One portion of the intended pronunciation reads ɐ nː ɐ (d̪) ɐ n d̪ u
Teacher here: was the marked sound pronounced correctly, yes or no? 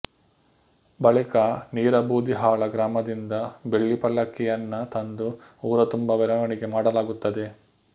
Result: no